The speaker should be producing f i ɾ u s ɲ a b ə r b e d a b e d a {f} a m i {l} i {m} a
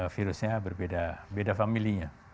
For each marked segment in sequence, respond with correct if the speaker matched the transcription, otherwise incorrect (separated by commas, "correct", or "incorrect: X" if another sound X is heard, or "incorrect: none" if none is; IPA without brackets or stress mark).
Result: correct, correct, incorrect: ɲ